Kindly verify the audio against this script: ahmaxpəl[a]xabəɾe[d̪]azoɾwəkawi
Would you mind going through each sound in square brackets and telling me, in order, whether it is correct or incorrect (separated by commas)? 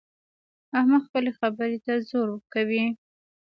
incorrect, incorrect